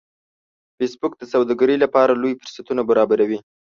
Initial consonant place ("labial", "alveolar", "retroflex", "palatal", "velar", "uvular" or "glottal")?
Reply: labial